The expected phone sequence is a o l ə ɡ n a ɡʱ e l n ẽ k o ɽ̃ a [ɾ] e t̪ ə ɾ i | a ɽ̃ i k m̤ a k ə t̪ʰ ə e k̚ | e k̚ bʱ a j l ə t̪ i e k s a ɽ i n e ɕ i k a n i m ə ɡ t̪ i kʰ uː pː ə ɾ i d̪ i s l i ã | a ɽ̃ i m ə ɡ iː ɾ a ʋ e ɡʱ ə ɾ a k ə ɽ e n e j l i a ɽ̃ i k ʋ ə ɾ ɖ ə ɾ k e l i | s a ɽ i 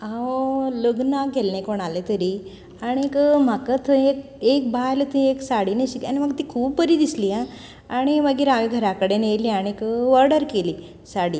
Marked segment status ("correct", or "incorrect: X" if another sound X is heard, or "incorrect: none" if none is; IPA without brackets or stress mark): incorrect: l